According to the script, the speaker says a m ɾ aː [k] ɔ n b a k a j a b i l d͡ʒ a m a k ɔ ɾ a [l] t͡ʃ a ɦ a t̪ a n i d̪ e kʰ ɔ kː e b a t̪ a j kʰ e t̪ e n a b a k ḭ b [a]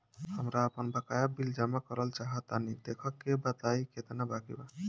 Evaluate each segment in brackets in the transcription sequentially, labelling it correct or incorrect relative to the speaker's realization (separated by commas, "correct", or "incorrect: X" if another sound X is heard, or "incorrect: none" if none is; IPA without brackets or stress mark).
incorrect: p, correct, correct